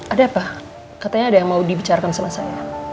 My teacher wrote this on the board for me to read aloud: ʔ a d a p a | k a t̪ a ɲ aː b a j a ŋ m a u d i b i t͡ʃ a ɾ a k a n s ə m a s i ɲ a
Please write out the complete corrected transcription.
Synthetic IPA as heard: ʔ a d a p a | k a t̪ a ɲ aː d a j a ŋ m a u d i b i t͡ʃ a ɾ a k a n s ə m a s a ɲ a